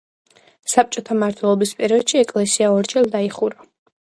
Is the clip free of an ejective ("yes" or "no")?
no